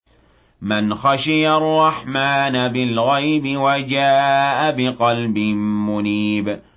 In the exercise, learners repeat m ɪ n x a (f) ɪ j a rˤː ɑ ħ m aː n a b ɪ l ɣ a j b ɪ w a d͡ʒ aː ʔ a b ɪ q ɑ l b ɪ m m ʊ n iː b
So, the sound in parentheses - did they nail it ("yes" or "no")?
no